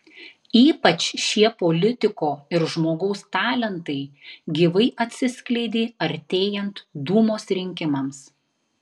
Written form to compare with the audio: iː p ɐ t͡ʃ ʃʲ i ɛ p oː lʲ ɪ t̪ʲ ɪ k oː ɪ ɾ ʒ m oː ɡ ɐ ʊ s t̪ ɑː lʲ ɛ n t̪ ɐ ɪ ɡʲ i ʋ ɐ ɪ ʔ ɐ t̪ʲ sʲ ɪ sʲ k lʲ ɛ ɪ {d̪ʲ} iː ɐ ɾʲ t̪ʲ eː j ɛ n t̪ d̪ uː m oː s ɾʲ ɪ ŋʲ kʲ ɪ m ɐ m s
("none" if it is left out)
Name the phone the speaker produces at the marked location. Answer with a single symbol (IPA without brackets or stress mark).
d̪ʲ